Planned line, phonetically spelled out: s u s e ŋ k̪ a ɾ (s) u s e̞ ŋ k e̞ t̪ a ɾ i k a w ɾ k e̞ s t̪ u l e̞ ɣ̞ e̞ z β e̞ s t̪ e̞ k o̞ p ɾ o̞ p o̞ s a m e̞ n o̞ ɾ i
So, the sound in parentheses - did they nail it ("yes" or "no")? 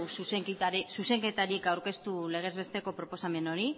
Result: yes